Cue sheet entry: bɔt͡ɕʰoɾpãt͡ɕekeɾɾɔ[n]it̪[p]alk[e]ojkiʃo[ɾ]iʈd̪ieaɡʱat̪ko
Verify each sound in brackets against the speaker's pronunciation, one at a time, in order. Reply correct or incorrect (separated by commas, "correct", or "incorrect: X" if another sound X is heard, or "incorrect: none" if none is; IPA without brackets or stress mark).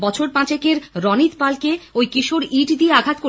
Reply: correct, correct, correct, correct